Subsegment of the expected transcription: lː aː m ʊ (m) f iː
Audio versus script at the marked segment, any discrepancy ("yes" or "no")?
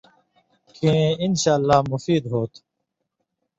yes